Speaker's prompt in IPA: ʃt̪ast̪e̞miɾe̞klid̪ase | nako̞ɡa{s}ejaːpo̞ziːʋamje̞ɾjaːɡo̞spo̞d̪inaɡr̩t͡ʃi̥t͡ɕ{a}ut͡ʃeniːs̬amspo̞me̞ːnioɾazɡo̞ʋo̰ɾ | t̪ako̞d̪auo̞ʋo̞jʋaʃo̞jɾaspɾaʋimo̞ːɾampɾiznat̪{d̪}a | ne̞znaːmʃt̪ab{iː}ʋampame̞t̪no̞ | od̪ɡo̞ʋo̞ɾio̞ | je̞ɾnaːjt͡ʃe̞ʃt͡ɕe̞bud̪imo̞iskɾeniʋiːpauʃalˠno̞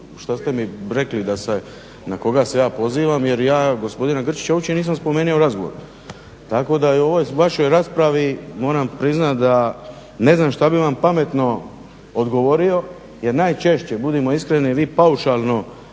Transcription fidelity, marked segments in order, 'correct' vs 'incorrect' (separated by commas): correct, correct, correct, incorrect